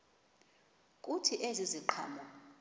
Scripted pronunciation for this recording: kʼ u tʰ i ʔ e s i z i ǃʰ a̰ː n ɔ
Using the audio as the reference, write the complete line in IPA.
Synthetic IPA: kʼ u tʰ i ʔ e z i z i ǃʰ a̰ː m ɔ

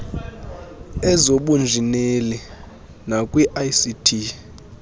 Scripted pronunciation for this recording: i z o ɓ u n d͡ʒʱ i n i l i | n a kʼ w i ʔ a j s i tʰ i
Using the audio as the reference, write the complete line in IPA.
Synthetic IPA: ɛ z o ɓ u n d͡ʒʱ i n e l i | n a kʼ w i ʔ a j s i tʰ i

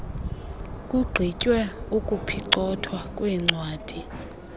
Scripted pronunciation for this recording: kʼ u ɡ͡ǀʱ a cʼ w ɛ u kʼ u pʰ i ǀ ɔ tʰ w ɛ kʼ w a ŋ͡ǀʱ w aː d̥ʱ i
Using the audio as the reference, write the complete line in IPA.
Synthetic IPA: kʼ u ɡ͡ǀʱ i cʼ w ɛ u kʼ u pʰ i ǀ ɔ tʰ w a kʼ w ɛ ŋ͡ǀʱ w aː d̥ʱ i

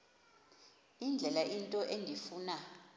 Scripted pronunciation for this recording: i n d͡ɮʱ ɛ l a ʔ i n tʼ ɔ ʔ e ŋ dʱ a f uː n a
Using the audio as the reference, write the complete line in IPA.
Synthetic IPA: i n d͡ɮʱ ɛ l a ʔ i n tʼ ɔ ʔ e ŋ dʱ i f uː n a

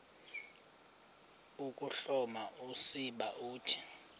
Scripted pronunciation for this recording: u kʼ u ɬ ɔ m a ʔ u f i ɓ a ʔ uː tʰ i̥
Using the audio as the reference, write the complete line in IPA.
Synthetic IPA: u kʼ u ɬ ɔ m a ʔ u s i ɓ a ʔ uː tʰ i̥

